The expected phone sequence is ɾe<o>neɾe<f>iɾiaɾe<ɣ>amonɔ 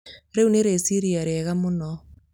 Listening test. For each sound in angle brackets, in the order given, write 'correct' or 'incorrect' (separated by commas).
incorrect, incorrect, correct